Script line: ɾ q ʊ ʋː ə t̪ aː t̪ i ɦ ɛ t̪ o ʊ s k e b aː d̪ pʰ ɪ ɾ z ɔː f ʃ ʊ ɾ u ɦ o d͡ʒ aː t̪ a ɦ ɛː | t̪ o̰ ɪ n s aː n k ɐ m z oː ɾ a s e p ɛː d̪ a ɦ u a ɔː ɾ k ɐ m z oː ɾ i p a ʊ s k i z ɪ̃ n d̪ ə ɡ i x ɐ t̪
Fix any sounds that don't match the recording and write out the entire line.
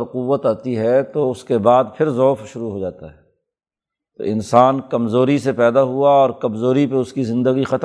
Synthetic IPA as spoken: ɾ q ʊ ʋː ə t̪ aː t̪ i ɦ ɛ t̪ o ʊ s k e b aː d̪ pʰ ɪ ɾ z ɔː f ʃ ʊ ɾ u ɦ o d͡ʒ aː t̪ a ɦ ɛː | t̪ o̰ ɪ n s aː n k ɐ m z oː ɾ i s e p ɛː d̪ a ɦ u a ɔː ɾ k ɐ m z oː ɾ i p e ʊ s k i z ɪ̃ n d̪ ə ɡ i x ɐ t̪